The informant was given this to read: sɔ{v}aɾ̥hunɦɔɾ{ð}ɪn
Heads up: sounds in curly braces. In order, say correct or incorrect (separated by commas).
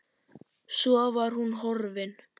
correct, incorrect